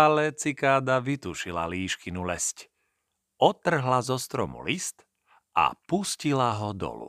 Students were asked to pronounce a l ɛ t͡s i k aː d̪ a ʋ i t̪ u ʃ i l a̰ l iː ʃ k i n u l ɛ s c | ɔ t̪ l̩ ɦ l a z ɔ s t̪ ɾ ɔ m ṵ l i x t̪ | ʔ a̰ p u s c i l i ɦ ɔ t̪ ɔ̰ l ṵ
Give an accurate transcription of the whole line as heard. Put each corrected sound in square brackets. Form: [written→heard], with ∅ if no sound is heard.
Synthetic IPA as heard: a l ɛ t͡s i k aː d̪ a ʋ i t̪ u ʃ i l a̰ l iː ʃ k i n u l ɛ s c | ɔ t̪ [l̩→r̩] ɦ l a z ɔ s t̪ ɾ ɔ m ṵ l i [x→s] t̪ | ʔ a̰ p u s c i l [i→a] ɦ ɔ [t̪→d̪] ɔ̰ l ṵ